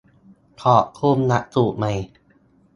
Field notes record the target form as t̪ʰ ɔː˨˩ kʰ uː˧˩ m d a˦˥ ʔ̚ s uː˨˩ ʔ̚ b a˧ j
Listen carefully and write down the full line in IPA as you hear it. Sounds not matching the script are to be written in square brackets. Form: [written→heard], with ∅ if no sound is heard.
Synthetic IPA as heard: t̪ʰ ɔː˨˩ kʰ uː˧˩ m [d→n] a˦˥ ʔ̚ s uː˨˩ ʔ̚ [b→m] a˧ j